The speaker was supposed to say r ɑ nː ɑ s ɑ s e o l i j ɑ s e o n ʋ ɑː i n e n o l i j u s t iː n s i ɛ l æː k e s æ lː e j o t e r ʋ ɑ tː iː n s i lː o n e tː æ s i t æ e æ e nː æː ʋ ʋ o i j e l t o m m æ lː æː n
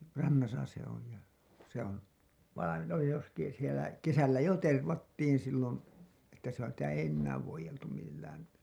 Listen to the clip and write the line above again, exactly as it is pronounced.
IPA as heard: r ɑ nː ɑ s ɑ s e o l i j ɑ s e o n ʋ ɑ i n e n o l i j u s t iː n s i e l æ k e s æ lː æ j o t e r ʋ ɑ tː iː n s i lː o n e tː æ s i t æ e i e nː æː ʋ ʋ o i j e l t u m m i lː æː n

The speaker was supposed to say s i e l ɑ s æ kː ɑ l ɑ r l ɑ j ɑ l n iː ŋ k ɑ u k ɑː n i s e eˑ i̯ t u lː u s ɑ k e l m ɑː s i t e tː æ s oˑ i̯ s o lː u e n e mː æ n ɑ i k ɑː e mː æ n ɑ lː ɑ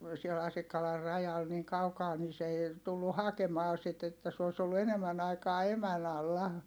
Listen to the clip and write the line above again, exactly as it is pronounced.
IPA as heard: s i e l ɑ s i kː ɑ l ɑ r r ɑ j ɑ l n iː ŋ k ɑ u k ɑː n i s e eˑ i̯ t u lː u h ɑ k e m ɑː s i t e tː æ s oˑ i̯ s o lː u e n e mː æ n ɑ i k ɑː e m æ n ɑ lː ɑ

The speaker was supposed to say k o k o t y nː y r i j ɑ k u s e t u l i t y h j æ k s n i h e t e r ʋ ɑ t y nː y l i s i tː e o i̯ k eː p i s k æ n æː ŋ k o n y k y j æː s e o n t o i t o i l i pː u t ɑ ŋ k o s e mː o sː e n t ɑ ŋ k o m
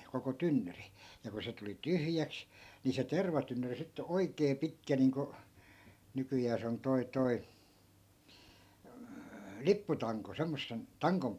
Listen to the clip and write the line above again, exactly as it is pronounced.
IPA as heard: k o k o t y nː y r i j ɑ k u s e t u l i t y h j æ k s n i s e t e r ʋ ɑ t y nː y r i s i tː e o i̯ k eː p i t k æ n iː ŋ k o n y k y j æː s e o n t o i t o i l i pː u t ɑ ŋ k o s e mː o sː e n t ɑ ŋ k o m

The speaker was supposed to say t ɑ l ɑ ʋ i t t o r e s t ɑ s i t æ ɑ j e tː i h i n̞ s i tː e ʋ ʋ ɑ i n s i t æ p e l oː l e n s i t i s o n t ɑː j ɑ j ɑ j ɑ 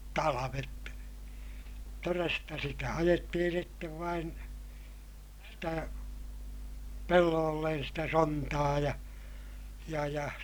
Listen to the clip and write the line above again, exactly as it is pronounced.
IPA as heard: t ɑ l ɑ ʋ e t t o r e s t ɑ s i t æ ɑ j e tː i h i n̞ s i tː e ʋ ʋ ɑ i n s i t æ p e lː oː lː e n s i t æ s o n t ɑː j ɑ j ɑ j ɑ

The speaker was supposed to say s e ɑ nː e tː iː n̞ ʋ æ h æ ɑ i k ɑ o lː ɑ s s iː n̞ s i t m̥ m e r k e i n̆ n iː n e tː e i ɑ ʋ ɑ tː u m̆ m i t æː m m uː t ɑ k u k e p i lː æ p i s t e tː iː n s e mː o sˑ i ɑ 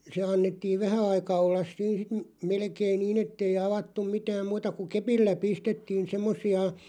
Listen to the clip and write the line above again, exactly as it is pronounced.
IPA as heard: s e ɑ nː e tː iː n̞ ʋ æ h æ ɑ i k ɑ o lː ɑ s s iː n̞ s i t m̥ m e l k e i n̆ n iː n e tː e i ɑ ʋ ɑ tː u m̆ m i t æː m m uː t ɑ k u k e p i lː æ p i s t e tː iː n s e mː o sˑ i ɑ

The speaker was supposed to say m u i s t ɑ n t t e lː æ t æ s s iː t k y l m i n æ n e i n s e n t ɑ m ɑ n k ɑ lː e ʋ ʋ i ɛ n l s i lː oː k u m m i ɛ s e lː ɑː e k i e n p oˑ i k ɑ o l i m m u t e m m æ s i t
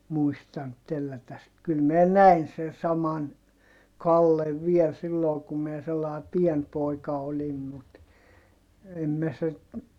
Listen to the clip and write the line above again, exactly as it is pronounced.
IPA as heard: m u i s t ɑ n t t e lː æ t æ s s i t k y l m i n æ n æ i n s e n s ɑ m ɑ n k ɑ lː e ʋ ʋ i ɛ l s i lː oː k u m m i ɛ s e lː ɑ e p i e n p oˑ i k ɑ o l i m m u t e m m æ s i t

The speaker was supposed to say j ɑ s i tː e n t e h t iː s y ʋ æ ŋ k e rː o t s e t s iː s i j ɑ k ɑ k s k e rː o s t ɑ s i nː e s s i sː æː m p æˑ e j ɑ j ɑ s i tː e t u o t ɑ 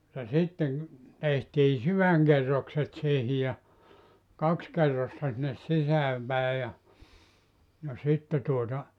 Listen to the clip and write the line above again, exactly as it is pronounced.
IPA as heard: j ɑ s i tː e ŋ t e h t iː s y ʋ æ ŋ k e rː o k s e t s iː h i j ɑ k ɑ k s k e rː o s t ɑ s i nː e s s i s æː m p æˑ e j ɑ j ɑ s i tː e t u o t ɑ

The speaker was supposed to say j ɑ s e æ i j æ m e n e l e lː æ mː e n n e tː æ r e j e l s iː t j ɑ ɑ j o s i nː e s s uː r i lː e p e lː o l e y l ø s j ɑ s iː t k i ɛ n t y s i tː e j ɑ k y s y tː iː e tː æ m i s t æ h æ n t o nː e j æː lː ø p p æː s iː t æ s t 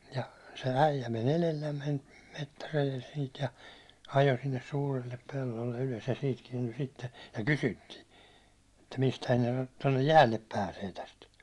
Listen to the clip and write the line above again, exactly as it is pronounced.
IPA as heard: j ɑ s e æ i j æ m e n e l e lː æ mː e n m e tː æ r e j e l s iː t j ɑ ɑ j o s i nː e s s uː r i lː e p e lː o lː e y l ø s j ɑ s iː t k i ɛ n t y s i tː e j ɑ k y s y tː iː e tː æ m i s t æ h æ n t o nː e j æː lː e p p æː s eː t æ s t

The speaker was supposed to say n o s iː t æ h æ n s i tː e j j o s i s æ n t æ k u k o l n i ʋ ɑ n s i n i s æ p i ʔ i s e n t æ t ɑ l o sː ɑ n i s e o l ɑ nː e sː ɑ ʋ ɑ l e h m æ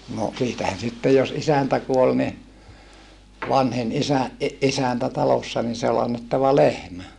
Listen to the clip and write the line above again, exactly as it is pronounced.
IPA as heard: n o s iː t æ h æ n s i tː e j j o s i s æ n t æ k u o l n i ʋ ɑ n h i n i s æ ʔ i ʔ i s æ n t æ t ɑ l o sː ɑ n i s e o l ɑ nː e tː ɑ ʋ ɑ l e h m æ

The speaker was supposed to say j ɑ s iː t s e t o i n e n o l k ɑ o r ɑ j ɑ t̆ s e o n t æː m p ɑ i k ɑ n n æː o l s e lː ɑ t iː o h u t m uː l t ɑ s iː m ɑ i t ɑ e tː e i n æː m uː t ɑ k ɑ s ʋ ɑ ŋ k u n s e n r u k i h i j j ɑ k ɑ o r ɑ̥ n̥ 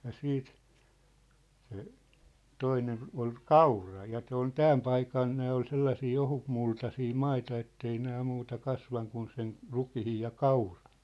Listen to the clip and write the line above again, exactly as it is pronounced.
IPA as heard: j ɑ s iː t s e t o i n e n o l k ɑ u r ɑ j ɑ t̆ s e o n t æː m p ɑ i k ɑ n n æː o l s e lː ɑ s iː o h u t m u l t ɑ s iː m ɑ i t ɑ e tː e i n æː m uː t ɑ k ɑ s ʋ ɑ ŋ k u n s e n r u k i h i j j ɑ k ɑ u r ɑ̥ n̥

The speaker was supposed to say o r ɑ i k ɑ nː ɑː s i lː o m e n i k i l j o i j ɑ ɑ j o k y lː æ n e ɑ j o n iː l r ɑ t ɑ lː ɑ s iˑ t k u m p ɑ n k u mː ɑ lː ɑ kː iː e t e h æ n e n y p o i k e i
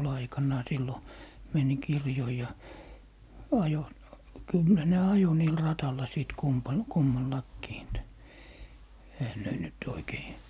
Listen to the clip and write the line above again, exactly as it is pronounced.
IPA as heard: o l ɑ i k ɑ nː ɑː s i lː o m e n i k i r j o i j ɑ ɑ j o k y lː æ n e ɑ j o n iː l r ɑ t ɑ lː ɑ s iˑ t k u m p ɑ n k u mː ɑ lː ɑ kː iː e t e h æ n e n y t o i k e i

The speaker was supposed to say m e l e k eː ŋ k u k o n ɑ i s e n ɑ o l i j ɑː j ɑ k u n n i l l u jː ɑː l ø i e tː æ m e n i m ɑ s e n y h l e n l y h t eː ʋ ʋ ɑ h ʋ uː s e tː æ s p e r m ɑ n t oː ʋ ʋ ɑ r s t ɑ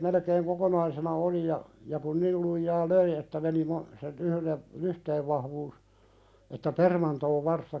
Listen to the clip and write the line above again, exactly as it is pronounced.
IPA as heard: m e l e k eː ŋ k o k o n ɑ i s e n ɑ o l i j ɑ j ɑ k u n n i l l u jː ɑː l ø i e tː æ m e n i m ɑ s e n y h l e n l y h t eː ʋ ʋ ɑ h ʋ uː s e tː æ p e r m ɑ n t oː ʋ ʋ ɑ r s t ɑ

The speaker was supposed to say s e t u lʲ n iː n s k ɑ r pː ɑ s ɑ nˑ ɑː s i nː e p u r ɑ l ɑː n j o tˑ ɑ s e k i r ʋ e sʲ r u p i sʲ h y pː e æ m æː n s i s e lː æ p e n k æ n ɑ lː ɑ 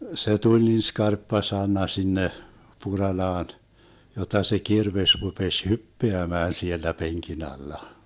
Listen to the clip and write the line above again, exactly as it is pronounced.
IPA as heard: s e t u lʲ n iː n s k ɑ r pː ɑ s ɑ nˑ ɑ s i nː e p u r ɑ l ɑː n j o tˑ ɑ s e k i r ʋ e sʲ r u p e sʲ h y pː e æ m æː n s i e lː æ p e ŋ k i n ɑ lː ɑ

